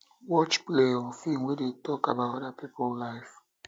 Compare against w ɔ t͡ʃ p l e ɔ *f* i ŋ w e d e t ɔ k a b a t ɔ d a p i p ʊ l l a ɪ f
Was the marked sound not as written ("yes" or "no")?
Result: no